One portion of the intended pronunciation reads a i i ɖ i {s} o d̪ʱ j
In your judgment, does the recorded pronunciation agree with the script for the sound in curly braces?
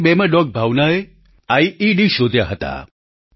no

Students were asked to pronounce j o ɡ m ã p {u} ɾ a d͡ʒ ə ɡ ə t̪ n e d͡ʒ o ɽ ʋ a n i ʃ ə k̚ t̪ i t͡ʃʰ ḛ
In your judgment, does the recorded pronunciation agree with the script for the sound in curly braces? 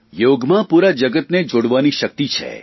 yes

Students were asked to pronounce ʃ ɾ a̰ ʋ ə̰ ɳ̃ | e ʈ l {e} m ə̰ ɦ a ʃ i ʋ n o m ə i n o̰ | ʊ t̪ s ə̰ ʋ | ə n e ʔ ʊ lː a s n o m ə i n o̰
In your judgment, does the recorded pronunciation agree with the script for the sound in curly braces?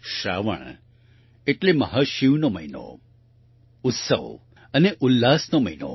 yes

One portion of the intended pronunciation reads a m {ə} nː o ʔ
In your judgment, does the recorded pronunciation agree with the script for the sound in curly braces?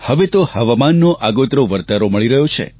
no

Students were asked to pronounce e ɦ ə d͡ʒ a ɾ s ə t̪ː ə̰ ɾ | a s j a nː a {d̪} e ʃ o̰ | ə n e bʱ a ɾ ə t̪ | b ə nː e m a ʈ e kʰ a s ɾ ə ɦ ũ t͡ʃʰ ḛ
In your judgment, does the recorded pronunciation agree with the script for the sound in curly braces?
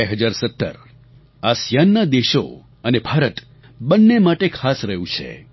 yes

